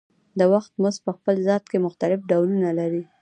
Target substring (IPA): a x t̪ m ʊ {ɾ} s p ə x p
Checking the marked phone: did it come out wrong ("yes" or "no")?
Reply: yes